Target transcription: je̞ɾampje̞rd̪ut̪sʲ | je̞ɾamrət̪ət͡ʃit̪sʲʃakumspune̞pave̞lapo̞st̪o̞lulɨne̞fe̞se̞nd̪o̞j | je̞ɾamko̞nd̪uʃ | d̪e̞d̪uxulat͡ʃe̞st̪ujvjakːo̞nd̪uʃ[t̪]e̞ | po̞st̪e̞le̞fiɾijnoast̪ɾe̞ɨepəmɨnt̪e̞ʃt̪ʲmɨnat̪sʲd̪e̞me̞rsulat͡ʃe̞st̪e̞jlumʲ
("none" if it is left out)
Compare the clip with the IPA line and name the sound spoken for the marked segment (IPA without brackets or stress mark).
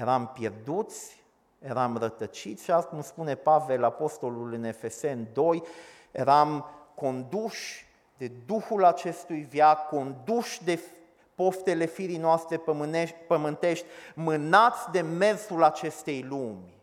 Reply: d̪